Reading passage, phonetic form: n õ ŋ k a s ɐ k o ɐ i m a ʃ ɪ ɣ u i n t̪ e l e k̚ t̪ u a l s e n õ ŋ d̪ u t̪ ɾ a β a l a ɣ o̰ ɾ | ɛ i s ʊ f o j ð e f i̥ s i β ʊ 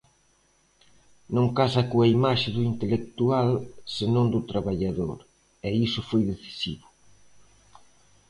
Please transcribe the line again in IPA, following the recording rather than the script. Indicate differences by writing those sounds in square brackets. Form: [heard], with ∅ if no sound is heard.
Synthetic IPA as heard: n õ ŋ k a s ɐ k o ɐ i m a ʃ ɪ [ð] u i n t̪ e l e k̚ t̪ u a l s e n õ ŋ d̪ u t̪ ɾ a β a [ʎ] a [ð] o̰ ɾ | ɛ i s ʊ f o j ð e [θ] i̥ s i β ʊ